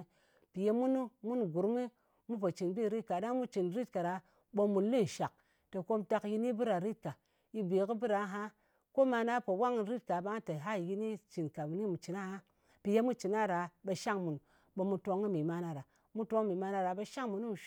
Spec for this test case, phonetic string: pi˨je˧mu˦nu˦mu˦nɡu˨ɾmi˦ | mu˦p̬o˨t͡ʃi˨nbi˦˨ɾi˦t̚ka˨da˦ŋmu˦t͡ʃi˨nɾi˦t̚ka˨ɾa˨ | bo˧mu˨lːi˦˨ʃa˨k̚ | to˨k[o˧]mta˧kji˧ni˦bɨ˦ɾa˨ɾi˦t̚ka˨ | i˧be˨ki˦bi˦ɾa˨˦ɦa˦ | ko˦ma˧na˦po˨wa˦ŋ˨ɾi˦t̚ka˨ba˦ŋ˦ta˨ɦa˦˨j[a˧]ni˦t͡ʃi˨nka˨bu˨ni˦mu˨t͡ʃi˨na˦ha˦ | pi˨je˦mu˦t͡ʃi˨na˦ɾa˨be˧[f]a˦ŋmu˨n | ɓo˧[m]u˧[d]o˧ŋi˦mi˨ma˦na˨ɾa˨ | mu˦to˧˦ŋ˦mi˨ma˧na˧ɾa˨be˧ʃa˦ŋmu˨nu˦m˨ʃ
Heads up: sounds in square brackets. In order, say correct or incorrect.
correct, incorrect: i˧, incorrect: ʃ, correct, incorrect: t

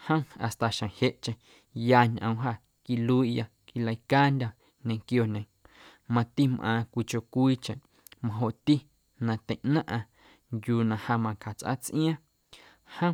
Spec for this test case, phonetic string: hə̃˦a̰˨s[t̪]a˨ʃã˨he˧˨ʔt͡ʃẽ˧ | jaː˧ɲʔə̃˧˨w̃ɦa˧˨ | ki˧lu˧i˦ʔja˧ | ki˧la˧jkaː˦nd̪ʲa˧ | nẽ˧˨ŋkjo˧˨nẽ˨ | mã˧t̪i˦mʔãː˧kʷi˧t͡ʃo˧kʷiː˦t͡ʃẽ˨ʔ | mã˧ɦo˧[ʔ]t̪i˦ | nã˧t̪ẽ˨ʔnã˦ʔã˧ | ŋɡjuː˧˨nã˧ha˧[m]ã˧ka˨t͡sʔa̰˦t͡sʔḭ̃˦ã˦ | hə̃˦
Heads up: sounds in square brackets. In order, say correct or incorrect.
correct, correct, correct

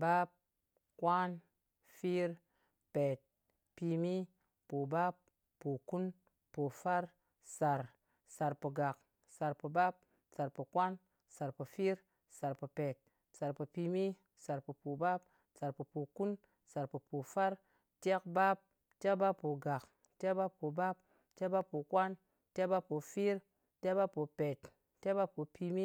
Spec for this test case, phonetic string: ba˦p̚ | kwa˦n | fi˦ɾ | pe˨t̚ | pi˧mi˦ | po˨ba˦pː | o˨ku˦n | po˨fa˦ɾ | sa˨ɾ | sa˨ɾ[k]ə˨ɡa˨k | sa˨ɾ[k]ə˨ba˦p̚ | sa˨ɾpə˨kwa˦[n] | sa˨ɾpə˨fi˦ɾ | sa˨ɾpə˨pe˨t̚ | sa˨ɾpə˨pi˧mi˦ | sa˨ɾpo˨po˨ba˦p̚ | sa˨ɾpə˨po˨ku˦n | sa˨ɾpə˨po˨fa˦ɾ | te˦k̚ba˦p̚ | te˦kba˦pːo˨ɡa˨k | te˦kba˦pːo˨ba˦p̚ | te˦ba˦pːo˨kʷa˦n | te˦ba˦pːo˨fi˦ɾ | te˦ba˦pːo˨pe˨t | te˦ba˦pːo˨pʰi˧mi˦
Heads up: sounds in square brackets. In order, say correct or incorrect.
incorrect: p, incorrect: p, correct

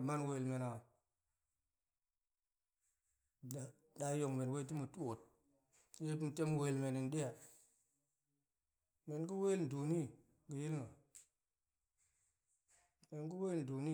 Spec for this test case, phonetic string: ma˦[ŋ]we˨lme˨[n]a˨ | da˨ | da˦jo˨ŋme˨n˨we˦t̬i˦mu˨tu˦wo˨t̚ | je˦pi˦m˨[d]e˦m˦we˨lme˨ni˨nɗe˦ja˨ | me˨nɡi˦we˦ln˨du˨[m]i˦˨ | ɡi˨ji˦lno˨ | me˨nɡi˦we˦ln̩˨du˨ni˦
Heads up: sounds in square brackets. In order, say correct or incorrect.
incorrect: n, correct, incorrect: t, incorrect: n

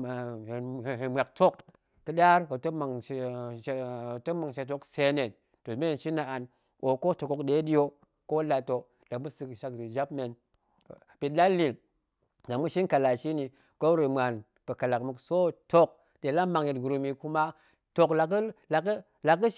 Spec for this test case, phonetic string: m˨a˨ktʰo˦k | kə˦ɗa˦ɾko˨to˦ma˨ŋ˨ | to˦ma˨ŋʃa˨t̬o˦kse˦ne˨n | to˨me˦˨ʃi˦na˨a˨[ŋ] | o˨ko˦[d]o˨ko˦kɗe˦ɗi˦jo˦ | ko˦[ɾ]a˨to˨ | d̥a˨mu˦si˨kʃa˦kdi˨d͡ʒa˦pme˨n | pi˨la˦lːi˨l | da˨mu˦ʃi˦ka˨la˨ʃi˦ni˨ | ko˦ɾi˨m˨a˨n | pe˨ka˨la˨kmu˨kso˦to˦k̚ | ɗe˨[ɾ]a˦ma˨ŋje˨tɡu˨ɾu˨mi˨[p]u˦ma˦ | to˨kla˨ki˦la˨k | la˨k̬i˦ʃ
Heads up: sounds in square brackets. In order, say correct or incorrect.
incorrect: n, incorrect: t, incorrect: l, incorrect: l, incorrect: k

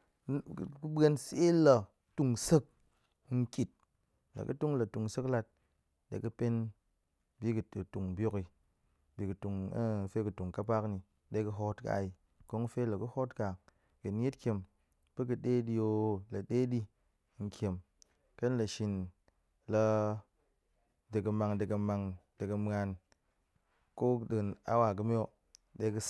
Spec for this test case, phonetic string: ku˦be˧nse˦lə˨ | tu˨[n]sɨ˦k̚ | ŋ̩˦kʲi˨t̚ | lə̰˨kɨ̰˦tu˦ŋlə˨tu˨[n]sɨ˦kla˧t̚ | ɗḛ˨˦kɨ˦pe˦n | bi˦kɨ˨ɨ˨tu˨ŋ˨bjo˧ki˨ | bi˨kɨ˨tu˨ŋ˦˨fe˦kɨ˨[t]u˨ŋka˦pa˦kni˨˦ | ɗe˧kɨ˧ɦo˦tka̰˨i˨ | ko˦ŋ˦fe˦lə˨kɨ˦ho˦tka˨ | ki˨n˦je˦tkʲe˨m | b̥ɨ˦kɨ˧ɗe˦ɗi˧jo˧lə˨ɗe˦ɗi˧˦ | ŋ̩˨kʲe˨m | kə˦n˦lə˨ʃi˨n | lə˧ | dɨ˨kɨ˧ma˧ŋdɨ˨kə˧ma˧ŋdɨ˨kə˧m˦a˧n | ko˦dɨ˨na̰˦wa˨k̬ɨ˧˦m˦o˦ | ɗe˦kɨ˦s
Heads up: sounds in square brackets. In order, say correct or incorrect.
incorrect: ŋ, incorrect: ŋ, correct

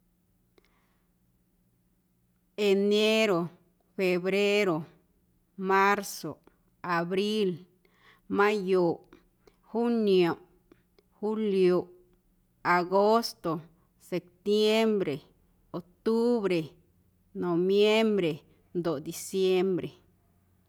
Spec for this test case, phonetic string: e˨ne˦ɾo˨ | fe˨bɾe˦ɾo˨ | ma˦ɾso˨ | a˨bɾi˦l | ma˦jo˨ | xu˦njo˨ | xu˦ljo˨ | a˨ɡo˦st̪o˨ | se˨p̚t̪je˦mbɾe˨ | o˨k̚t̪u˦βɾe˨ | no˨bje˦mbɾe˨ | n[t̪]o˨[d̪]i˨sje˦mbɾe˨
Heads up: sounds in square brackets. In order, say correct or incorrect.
incorrect: d̪, correct

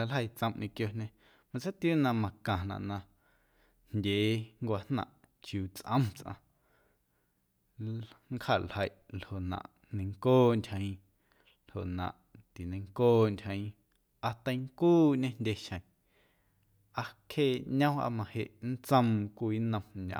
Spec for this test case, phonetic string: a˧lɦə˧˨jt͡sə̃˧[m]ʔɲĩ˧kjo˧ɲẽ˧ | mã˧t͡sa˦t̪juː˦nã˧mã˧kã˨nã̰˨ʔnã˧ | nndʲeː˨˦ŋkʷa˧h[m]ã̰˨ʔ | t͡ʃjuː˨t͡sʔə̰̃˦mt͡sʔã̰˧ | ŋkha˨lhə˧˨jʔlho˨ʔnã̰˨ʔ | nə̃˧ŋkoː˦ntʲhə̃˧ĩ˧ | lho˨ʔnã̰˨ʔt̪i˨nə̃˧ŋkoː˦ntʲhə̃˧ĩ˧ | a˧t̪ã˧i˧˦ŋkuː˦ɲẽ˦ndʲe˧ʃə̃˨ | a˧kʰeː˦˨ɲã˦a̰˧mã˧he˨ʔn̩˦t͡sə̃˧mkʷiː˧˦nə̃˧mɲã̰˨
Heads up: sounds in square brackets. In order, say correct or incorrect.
correct, incorrect: n

